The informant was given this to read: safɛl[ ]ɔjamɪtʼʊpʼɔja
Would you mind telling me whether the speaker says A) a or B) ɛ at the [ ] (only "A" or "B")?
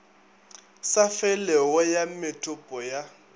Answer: B